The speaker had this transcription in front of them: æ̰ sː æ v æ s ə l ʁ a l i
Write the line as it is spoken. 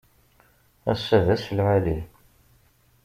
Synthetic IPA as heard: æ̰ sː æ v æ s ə l ʕ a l i